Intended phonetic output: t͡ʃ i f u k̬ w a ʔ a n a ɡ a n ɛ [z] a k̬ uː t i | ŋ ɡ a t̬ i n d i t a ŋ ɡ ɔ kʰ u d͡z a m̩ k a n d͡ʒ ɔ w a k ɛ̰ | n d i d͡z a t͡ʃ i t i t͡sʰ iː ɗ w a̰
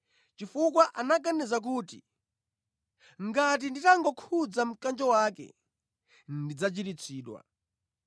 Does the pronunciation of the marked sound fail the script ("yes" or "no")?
no